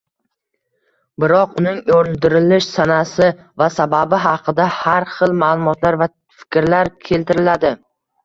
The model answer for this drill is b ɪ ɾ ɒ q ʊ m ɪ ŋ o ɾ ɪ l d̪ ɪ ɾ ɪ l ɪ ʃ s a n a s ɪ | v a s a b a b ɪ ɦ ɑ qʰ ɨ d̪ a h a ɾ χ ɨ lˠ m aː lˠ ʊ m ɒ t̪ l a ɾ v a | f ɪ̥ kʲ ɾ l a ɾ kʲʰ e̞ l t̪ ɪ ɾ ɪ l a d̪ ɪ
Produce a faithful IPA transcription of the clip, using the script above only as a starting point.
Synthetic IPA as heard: b ɪ ɾ ɒ q ʊ n ɪ ŋ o ɾ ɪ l d̪ ɪ ɾ ɪ l ɪ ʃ s a n a s ɪ | v a s a b a b ɪ ɦ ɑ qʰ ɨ d̪ a h a ɾ χ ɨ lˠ m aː lˠ ʊ m ɒ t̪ l a ɾ v a | f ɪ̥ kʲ ɾ l a ɾ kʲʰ e̞ l t̪ ɪ ɾ ɪ l a d̪ ɪ